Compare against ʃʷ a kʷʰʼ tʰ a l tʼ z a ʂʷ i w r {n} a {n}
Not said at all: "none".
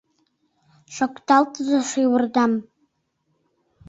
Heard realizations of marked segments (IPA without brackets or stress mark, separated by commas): d, m